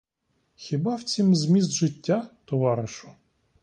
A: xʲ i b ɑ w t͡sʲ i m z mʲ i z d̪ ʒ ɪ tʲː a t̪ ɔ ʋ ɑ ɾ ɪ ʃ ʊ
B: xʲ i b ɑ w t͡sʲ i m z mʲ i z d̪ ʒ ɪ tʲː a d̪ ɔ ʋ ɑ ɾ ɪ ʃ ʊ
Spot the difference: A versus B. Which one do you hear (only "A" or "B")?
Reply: A